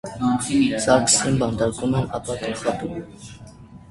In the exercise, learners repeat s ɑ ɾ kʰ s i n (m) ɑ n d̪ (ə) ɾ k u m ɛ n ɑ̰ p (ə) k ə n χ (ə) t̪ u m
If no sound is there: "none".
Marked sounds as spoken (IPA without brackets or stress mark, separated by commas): b, ɑ, ɑ, ɑ